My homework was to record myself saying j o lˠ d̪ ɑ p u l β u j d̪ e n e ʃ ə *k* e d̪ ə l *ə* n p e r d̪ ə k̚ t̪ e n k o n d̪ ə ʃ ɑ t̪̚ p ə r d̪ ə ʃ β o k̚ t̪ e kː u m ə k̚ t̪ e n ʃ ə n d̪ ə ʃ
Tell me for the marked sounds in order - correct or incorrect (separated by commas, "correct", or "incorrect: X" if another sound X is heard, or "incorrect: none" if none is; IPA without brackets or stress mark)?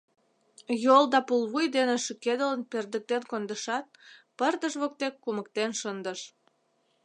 correct, correct